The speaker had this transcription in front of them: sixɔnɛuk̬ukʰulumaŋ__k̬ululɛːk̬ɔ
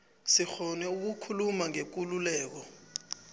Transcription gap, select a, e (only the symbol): e